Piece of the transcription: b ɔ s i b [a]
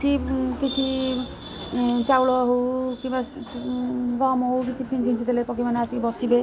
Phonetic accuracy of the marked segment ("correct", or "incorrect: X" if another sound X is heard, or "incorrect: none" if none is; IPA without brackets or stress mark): incorrect: e